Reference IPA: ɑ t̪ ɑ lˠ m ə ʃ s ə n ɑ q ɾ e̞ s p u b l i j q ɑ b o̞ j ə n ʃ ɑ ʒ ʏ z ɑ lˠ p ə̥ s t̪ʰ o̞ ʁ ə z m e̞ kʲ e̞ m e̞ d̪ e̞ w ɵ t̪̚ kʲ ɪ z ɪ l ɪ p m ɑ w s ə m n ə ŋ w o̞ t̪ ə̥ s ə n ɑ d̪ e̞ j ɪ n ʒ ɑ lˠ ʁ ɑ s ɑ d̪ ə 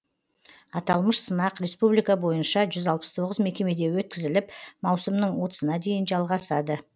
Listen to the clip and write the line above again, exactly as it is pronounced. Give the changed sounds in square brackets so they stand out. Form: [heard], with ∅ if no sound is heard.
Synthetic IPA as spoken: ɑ t̪ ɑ lˠ m ə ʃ s ə n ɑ q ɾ e̞ s p u b l i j [k] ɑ b o̞ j ə n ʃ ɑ ʒ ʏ z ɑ lˠ p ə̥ s t̪ʰ o̞ ʁ ə z m e̞ kʲ e̞ m e̞ d̪ e̞ w ɵ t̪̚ kʲ ɪ z ɪ l ɪ p m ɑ w s ə m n ə [ɴ] w o̞ t̪ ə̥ s ə n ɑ d̪ e̞ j ɪ n ʒ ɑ lˠ ʁ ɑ s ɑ d̪ ə